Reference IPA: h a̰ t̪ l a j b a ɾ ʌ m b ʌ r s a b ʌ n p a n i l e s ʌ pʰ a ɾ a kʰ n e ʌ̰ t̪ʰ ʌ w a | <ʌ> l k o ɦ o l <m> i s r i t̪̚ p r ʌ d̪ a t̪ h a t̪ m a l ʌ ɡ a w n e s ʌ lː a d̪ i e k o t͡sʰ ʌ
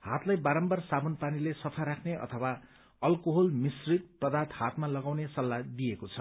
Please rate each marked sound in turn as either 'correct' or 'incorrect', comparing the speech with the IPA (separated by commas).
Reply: correct, correct